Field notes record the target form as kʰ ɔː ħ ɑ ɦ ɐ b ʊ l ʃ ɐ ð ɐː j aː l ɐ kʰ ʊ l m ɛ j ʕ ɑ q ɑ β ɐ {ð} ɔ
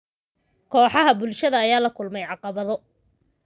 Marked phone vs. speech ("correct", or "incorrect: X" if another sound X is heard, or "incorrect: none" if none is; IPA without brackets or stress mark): correct